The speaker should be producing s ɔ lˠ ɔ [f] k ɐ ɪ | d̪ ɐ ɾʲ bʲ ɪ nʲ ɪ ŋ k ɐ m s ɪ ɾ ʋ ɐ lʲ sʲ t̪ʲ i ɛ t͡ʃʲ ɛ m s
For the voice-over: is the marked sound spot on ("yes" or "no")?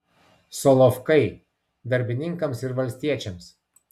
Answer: yes